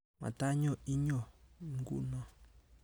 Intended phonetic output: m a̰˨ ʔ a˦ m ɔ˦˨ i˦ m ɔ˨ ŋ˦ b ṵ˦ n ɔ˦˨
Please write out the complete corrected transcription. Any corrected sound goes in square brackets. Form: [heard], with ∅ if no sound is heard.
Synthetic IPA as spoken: m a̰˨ [t] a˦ [ɲ] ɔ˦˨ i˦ [ɲ] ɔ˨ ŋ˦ [ɡ] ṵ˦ n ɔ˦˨